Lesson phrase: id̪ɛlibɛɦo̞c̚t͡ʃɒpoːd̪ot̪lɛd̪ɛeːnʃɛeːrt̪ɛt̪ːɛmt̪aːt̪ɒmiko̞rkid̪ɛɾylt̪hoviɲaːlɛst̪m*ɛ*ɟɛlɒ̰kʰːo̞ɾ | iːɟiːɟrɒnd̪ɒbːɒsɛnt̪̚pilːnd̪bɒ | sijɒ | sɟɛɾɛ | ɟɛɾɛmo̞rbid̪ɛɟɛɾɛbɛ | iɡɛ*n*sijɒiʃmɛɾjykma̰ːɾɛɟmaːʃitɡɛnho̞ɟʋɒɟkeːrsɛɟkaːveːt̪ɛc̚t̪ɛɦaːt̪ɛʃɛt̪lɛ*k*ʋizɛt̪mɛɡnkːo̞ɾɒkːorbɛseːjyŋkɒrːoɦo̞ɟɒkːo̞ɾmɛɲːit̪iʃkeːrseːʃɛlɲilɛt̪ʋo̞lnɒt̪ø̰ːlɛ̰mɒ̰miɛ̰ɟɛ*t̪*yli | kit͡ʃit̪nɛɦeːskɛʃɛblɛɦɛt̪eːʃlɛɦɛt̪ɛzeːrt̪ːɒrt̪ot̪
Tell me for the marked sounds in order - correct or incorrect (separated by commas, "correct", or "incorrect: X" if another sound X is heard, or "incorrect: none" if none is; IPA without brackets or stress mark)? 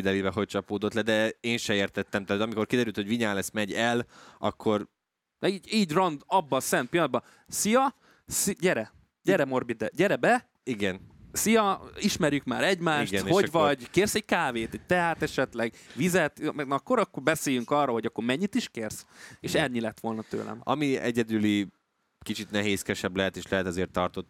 correct, correct, incorrect: ɡ, incorrect: d̪